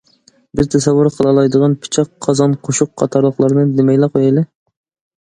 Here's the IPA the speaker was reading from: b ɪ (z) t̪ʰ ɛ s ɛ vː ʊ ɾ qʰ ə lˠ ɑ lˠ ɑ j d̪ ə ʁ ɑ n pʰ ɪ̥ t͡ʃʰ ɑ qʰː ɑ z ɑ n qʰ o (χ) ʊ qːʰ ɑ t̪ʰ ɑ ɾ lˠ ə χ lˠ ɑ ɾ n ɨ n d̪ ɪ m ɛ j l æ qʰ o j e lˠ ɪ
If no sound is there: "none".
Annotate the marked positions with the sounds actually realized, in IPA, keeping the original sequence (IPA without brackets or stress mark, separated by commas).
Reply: z, ʃ